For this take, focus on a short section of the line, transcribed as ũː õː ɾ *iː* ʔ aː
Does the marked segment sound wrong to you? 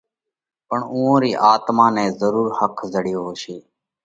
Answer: no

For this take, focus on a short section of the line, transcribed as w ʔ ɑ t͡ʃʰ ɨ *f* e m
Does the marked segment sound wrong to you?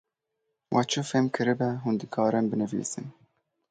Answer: no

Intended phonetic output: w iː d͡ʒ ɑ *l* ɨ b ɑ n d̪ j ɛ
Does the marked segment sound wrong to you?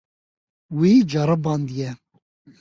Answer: yes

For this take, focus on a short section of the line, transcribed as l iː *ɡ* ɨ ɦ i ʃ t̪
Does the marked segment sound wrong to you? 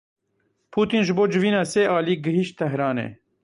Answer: no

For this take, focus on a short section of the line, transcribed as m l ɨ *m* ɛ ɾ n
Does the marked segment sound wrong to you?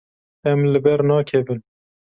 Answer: yes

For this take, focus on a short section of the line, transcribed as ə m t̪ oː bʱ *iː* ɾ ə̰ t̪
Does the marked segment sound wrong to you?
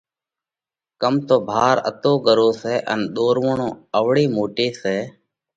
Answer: yes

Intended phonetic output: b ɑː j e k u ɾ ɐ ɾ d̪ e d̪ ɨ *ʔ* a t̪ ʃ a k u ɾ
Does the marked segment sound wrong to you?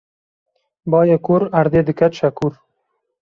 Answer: yes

